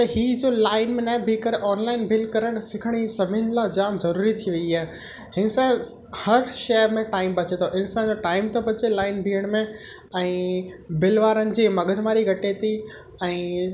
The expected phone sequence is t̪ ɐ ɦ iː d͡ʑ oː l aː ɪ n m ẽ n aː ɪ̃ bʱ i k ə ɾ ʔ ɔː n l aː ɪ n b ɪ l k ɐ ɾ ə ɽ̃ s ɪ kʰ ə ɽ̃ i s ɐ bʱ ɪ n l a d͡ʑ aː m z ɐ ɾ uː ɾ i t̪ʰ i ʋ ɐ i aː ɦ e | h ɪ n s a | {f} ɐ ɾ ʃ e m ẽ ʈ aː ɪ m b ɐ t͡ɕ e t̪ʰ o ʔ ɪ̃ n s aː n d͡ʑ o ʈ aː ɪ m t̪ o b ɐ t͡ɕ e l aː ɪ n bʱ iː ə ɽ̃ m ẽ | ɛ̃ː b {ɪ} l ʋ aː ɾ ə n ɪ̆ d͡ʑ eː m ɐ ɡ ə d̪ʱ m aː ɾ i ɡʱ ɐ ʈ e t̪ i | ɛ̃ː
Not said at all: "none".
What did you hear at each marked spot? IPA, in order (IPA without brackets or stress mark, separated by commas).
h, ɪ